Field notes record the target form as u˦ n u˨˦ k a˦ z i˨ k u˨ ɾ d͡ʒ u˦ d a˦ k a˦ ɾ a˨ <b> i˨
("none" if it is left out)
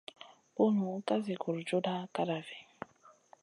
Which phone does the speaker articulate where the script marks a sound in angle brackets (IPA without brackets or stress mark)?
v